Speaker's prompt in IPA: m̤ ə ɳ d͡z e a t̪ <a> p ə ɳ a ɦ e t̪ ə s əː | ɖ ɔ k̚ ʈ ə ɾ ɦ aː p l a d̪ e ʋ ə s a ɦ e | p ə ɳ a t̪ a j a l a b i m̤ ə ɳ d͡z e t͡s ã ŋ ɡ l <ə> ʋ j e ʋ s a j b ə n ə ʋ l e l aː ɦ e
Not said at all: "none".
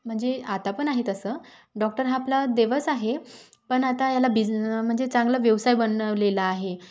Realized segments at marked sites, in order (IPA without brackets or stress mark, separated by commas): a, a